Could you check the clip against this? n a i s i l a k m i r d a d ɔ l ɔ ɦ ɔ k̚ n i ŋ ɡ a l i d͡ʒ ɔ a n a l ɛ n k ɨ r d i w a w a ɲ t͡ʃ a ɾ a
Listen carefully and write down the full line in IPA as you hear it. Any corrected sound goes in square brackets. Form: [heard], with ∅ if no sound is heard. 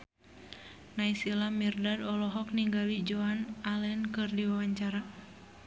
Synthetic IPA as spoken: n a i s i l a [∅] m i r d a d ɔ l ɔ ɦ ɔ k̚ n i ŋ ɡ a l i d͡ʒ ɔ a n a l ɛ n k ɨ r d i w a w a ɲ t͡ʃ a ɾ a